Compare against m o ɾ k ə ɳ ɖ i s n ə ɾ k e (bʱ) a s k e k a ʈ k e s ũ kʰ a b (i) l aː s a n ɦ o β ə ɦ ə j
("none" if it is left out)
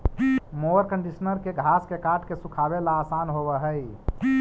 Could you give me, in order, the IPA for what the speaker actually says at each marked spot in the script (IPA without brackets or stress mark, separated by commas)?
ɡʱ, e